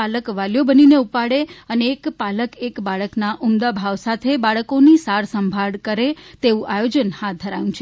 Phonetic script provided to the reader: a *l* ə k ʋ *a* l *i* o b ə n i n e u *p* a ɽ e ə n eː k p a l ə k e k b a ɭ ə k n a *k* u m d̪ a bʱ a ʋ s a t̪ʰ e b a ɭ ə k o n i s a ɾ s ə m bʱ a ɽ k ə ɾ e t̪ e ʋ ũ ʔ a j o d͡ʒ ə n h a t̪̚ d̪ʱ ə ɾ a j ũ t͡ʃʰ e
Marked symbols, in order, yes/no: yes, yes, no, yes, no

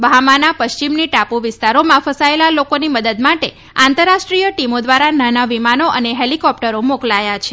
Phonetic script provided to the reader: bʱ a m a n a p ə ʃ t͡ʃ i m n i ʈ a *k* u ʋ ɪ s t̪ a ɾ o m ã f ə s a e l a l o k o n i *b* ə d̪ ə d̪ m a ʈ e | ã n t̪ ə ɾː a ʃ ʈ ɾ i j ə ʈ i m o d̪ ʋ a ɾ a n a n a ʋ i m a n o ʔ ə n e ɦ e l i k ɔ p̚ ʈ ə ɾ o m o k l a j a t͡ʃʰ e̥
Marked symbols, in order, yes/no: no, no

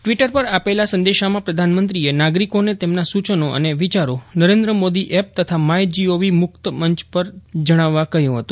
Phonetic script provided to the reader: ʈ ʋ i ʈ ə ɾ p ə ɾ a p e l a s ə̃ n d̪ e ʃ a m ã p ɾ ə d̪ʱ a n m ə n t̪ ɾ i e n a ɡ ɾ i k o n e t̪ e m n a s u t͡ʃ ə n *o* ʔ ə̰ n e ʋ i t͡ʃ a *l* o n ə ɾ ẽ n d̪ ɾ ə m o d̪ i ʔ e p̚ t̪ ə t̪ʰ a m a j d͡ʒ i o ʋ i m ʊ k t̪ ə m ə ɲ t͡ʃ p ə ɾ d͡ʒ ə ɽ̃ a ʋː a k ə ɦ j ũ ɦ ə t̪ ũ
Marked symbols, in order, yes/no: yes, no

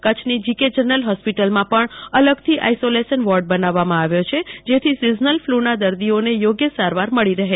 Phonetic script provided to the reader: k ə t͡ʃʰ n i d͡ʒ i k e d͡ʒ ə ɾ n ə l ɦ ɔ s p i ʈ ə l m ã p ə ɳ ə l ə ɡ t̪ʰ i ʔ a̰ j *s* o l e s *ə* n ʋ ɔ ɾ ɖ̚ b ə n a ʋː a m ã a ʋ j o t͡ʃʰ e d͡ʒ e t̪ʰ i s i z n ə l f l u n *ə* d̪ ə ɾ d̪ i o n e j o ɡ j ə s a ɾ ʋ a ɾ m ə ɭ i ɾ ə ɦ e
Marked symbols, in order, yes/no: yes, yes, no

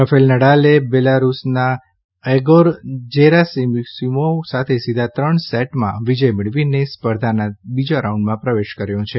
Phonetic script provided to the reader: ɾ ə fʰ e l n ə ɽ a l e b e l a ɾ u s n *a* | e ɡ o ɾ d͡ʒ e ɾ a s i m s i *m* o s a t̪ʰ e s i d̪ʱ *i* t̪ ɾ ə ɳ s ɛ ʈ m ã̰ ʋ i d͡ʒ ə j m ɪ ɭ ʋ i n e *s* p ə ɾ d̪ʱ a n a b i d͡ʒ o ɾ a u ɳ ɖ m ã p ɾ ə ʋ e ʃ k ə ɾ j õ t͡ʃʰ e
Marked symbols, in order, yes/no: yes, yes, no, yes

